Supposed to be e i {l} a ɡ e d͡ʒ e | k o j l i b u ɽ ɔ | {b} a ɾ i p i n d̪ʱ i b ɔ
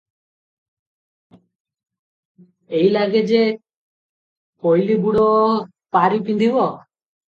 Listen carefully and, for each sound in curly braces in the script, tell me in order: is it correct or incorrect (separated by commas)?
correct, incorrect